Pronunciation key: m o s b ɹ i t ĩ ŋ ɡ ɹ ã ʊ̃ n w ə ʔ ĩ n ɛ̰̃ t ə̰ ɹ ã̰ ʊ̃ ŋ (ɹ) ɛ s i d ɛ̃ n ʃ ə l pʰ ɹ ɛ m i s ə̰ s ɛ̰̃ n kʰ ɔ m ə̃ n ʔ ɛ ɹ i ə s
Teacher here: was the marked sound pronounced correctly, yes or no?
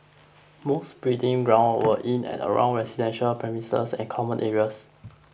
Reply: yes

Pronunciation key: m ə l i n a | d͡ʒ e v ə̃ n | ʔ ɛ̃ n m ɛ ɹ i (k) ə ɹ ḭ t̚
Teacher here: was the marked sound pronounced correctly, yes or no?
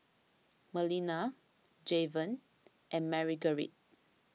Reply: no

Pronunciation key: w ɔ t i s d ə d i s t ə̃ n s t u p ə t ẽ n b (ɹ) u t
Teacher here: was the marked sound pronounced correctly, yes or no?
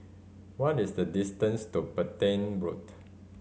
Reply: yes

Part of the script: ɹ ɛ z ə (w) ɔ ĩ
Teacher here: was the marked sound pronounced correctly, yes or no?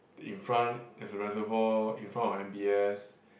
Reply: no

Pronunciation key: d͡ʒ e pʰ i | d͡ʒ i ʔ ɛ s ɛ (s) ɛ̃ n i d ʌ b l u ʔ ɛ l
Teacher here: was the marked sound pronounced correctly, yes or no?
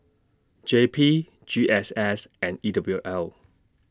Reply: yes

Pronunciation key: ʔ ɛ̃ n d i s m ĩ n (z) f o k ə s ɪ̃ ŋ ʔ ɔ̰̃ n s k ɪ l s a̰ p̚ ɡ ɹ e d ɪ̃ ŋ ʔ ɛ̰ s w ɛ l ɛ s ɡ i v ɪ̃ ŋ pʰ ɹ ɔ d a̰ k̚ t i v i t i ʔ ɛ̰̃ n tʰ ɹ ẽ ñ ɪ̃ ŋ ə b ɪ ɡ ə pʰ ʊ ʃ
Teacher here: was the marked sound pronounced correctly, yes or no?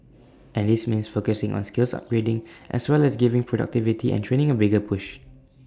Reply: no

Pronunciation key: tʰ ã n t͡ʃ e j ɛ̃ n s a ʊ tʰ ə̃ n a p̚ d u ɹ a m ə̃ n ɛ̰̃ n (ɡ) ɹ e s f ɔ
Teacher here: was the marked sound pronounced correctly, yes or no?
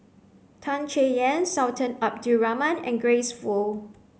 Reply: yes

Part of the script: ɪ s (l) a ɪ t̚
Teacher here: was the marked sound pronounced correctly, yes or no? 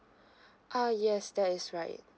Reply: no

